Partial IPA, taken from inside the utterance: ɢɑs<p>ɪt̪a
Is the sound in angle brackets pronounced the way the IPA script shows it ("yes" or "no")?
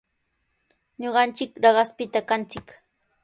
yes